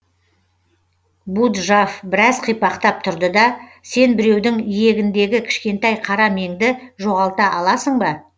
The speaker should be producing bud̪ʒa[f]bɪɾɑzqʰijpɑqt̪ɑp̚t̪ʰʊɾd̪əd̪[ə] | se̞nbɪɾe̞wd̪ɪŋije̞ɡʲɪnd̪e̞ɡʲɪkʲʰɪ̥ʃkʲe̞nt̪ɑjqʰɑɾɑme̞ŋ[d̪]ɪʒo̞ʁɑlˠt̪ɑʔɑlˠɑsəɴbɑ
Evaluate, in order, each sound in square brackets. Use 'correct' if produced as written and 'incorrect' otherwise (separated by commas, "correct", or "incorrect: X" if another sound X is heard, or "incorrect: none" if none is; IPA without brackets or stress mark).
correct, incorrect: ɑ, correct